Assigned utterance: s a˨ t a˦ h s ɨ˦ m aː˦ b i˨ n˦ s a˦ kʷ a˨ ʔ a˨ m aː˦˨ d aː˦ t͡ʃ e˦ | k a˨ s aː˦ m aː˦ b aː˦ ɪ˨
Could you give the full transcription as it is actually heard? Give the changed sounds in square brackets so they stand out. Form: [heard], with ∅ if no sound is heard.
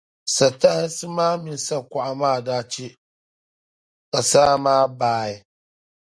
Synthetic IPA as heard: s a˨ t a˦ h s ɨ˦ m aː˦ [m] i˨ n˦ s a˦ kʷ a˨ ʔ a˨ m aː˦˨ d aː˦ t͡ʃ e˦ | k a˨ s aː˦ m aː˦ b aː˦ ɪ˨